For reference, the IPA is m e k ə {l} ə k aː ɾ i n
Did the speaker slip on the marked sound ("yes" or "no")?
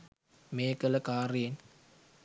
no